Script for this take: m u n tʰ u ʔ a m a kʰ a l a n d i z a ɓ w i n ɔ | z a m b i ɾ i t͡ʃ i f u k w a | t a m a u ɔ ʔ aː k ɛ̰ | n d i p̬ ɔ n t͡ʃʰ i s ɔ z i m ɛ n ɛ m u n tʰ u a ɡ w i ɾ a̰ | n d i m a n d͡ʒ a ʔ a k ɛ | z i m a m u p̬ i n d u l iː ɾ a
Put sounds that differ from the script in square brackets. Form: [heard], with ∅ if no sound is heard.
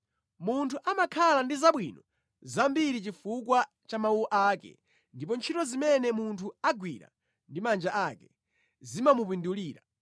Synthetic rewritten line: m u n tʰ u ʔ a m a kʰ a l a n d i z a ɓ w i n ɔ | z a m b i ɾ i t͡ʃ i f u k w a | [t͡ʃ] a m a u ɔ ʔ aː k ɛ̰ | n d i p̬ ɔ n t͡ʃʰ i [t] ɔ z i m ɛ n ɛ m u n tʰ u a ɡ w i ɾ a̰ | n d i m a n d͡ʒ a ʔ a k ɛ | z i m a m u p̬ i n d u l iː ɾ a